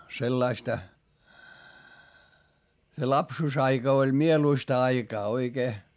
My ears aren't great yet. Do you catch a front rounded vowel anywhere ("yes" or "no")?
no